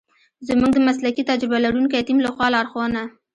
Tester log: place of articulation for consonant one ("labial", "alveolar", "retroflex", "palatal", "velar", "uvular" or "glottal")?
alveolar